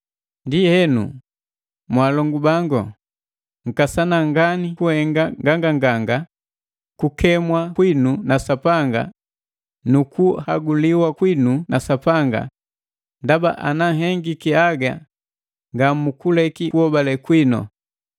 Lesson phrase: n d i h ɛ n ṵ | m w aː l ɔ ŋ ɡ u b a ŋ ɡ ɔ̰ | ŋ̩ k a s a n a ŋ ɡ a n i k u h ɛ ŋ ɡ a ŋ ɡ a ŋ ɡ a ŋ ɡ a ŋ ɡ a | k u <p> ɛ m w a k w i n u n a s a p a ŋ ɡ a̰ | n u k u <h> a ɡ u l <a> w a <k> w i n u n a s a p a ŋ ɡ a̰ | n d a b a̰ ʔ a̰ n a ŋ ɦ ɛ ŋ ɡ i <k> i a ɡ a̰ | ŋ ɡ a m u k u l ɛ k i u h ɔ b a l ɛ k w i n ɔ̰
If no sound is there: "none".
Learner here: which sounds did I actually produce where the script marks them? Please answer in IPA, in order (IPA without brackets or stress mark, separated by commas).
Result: k, h, i, k, k